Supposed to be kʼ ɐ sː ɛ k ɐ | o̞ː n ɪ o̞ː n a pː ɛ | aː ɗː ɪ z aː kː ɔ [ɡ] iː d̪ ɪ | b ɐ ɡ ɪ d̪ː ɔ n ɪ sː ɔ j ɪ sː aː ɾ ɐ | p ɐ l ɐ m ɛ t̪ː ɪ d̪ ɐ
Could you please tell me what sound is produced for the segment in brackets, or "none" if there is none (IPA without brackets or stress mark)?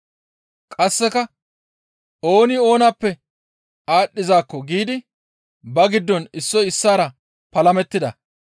ɡ